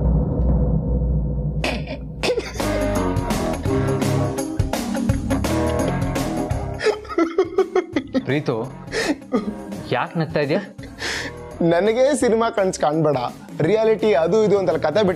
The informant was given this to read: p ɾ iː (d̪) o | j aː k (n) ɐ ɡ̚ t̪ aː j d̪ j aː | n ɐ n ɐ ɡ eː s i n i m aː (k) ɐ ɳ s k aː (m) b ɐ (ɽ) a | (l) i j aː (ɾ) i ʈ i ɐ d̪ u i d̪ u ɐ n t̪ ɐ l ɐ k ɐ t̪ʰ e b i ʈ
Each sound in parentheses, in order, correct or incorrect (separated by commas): incorrect, correct, correct, incorrect, correct, incorrect, incorrect